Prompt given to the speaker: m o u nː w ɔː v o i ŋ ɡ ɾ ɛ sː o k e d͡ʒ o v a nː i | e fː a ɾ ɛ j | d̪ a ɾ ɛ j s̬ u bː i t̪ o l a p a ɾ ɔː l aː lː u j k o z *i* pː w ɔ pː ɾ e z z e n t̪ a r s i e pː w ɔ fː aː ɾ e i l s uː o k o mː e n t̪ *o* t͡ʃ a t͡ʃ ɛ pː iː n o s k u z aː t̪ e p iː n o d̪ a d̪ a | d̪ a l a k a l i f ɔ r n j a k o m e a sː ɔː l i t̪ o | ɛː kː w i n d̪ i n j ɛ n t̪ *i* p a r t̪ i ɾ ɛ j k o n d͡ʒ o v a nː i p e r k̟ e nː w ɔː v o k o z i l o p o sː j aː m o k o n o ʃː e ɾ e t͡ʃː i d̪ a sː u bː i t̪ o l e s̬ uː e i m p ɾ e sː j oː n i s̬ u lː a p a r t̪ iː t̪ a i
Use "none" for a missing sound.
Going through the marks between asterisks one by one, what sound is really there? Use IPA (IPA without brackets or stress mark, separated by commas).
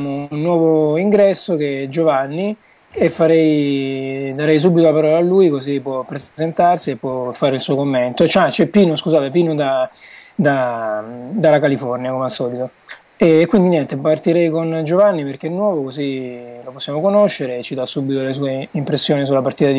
i, o, e